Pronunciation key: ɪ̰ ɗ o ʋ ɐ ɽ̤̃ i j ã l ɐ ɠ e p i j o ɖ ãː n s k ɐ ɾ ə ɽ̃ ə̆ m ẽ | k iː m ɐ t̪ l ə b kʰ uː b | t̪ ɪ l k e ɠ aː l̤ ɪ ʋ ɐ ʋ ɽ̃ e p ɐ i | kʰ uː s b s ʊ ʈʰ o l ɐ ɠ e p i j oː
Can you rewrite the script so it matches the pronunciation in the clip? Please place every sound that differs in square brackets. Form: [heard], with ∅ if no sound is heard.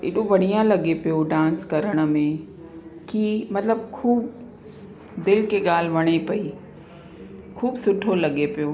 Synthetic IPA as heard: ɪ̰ ɗ o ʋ ɐ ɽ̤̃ i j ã l ɐ ɠ e p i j o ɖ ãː n s k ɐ ɾ ə ɽ̃ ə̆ m ẽ | k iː m ɐ t̪ l ə b kʰ uː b | [d̪] ɪ l k e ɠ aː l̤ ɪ ʋ ɐ [∅] ɽ̃ e p ɐ i | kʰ uː [∅] b s ʊ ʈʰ o l ɐ ɠ e p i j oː